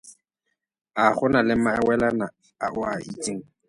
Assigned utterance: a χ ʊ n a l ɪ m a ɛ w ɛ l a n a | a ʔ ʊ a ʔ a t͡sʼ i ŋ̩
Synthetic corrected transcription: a χ ʊ n a l ɪ m a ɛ w ɛ l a n a | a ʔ ʊ a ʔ i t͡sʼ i ŋ̩